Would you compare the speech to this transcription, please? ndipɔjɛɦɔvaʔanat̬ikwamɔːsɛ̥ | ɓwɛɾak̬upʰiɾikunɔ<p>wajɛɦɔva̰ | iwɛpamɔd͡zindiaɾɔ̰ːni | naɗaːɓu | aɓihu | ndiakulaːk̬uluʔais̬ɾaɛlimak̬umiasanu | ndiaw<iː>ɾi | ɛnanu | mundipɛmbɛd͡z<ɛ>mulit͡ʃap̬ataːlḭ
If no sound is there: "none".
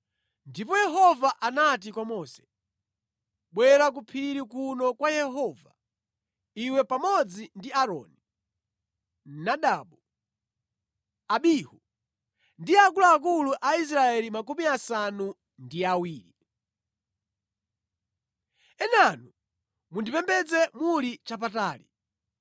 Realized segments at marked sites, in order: k, iː, ɛ

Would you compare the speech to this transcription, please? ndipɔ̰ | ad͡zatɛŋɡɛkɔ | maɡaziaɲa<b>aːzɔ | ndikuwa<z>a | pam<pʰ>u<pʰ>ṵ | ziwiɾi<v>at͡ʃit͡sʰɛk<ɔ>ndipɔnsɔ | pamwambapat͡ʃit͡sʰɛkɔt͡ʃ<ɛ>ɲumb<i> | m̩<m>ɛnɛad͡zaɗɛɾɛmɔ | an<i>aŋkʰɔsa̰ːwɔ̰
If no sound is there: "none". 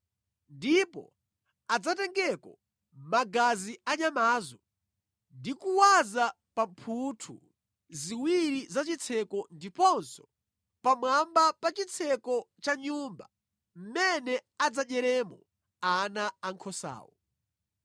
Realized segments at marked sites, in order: m, z, pʰ, tʰ, z, ɔ, a, a, m, a

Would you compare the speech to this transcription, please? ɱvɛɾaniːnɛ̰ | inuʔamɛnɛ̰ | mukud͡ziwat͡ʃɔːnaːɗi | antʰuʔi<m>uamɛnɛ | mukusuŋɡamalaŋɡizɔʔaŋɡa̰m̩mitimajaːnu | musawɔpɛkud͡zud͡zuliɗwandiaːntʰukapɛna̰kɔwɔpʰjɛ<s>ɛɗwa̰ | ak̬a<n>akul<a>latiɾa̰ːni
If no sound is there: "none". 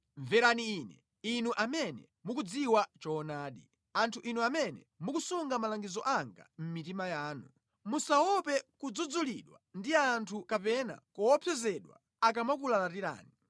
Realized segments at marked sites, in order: n, z, m, a

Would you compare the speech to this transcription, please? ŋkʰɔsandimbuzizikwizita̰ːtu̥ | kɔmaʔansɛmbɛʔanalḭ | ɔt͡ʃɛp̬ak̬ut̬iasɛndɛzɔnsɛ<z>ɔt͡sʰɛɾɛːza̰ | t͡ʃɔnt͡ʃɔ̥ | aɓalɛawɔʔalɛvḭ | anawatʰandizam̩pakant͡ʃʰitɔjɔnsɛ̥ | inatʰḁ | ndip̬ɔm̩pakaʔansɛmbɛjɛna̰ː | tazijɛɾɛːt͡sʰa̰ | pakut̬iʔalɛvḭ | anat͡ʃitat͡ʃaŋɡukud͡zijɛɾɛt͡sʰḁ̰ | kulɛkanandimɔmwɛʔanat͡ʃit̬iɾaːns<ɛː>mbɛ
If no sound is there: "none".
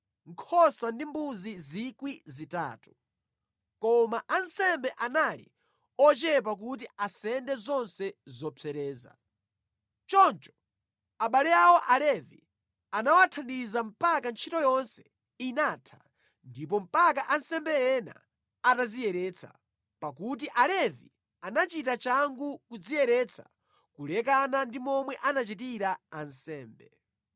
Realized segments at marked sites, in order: z, ɛː

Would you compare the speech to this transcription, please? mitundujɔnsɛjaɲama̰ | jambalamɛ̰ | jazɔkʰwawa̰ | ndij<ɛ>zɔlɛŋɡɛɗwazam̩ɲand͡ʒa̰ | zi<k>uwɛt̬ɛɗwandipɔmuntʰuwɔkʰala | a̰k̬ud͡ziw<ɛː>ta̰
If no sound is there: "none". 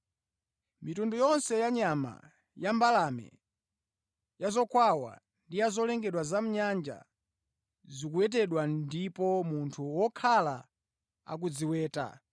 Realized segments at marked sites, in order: a, k, ɛː

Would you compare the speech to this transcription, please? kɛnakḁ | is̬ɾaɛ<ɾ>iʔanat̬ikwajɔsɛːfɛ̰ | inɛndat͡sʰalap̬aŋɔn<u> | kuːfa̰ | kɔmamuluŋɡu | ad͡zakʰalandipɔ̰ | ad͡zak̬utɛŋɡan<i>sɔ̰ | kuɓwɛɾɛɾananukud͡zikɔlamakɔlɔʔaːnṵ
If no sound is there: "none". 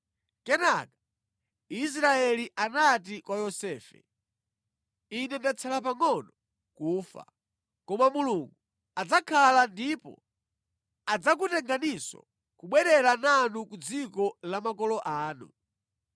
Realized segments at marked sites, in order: l, ɔ, i

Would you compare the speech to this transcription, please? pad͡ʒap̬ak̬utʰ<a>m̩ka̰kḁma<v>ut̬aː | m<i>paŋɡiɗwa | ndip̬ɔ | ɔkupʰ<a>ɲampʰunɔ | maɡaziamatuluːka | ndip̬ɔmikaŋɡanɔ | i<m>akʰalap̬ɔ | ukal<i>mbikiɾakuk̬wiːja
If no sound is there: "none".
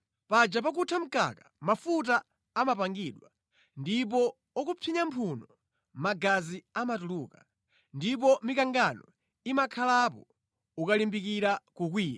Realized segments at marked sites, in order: a, f, a, i, m, i

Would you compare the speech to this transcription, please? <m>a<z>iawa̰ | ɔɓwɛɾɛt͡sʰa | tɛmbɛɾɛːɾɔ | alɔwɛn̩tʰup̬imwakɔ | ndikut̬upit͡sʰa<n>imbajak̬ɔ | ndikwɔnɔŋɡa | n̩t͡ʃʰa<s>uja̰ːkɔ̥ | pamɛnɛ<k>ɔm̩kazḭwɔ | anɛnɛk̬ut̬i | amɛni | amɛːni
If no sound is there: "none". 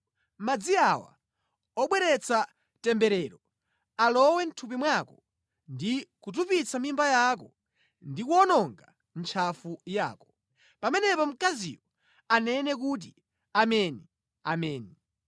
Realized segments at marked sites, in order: m, d͡z, m, f, p

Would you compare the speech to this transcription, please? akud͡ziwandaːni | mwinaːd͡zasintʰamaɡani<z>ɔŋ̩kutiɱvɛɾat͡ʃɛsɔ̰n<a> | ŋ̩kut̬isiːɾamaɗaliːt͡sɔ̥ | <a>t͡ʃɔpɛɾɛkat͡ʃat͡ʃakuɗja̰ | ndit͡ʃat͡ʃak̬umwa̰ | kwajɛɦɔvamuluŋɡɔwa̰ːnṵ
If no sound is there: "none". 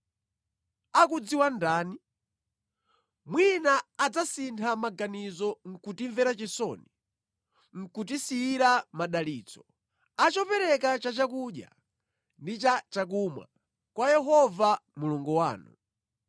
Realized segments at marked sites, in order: z, i, a

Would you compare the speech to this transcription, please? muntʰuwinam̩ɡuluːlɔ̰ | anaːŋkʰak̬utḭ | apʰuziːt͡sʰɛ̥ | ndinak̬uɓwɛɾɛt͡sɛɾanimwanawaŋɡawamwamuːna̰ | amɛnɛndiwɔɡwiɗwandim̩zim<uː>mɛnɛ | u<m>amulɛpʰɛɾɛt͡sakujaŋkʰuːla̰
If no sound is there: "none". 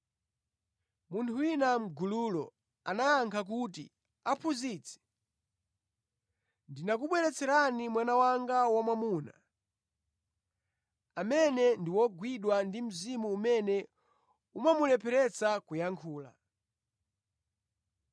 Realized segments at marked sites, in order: uː, m

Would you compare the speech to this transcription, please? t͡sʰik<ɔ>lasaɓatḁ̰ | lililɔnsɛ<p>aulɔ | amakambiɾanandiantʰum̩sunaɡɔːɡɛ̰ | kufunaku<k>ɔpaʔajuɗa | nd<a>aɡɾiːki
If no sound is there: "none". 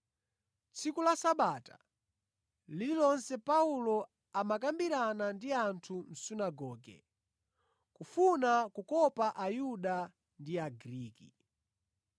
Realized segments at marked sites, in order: u, p, k, i

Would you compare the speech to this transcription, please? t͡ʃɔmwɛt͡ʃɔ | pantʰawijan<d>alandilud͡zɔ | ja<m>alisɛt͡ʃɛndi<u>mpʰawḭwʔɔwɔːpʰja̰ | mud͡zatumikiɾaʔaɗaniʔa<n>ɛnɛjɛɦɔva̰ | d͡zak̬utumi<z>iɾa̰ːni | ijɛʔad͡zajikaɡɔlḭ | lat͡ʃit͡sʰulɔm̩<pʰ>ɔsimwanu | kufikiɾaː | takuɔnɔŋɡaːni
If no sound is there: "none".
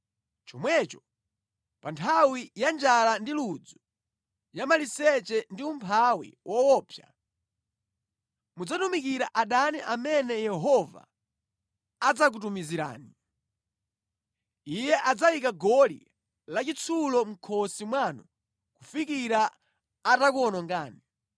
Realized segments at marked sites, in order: d͡ʒ, m, u, m, z, kʰ

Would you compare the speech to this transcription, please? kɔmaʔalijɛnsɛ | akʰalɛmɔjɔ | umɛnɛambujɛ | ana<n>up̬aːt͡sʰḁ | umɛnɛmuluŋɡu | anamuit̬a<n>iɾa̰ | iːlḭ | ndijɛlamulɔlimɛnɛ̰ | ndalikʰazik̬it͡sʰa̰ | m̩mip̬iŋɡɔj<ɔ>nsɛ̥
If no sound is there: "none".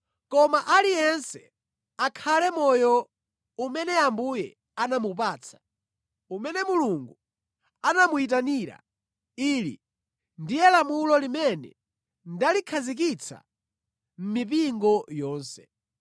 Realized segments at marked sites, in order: m, n, ɔː

